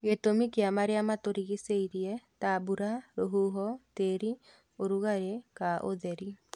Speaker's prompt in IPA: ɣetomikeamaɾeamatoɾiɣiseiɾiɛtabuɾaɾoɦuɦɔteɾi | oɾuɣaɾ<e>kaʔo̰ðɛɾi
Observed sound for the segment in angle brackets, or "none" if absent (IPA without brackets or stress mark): e